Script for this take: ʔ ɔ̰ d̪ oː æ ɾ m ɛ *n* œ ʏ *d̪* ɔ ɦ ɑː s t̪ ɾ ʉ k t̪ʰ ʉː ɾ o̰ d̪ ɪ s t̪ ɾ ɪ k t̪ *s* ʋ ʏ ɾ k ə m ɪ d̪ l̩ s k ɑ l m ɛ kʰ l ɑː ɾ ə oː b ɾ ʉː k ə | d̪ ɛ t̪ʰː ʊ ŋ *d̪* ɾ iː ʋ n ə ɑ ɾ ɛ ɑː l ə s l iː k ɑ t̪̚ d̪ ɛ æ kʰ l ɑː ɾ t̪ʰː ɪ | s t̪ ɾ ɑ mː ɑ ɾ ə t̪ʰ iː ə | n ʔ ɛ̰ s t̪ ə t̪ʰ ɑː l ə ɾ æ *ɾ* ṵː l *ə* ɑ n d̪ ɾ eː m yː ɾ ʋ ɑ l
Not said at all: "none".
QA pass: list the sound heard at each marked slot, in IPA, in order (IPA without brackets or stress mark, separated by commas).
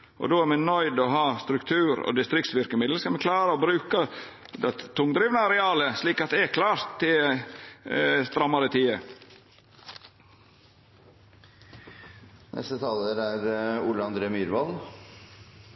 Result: n, d̪, s, d̪, ɾ, ə